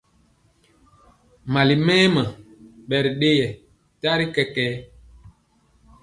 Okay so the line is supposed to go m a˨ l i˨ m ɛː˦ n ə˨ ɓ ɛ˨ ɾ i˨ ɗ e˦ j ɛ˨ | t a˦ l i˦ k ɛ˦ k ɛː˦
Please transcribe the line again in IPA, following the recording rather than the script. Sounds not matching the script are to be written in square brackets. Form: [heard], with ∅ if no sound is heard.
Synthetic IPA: m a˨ l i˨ m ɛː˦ [m] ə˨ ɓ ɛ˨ ɾ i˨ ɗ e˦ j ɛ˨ | t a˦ [ɾ] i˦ k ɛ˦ k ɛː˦